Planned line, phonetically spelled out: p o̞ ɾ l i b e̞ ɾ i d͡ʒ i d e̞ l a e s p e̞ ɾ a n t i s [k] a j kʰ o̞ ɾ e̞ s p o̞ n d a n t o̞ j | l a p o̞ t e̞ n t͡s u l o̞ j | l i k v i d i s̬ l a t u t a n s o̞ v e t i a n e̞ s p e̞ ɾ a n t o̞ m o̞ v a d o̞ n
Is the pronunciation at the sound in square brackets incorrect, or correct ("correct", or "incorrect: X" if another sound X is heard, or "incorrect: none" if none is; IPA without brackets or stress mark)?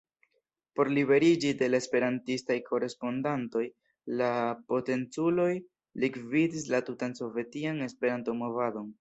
incorrect: t